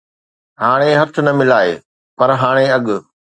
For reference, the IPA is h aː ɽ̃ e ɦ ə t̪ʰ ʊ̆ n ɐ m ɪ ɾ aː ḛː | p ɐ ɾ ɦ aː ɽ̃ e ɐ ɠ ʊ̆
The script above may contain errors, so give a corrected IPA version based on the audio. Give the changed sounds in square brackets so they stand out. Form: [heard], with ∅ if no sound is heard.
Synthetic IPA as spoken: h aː ɽ̃ e ɦ [ɐ] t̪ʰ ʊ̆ n ɐ m ɪ [l] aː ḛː | p ɐ ɾ ɦ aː ɽ̃ e ɐ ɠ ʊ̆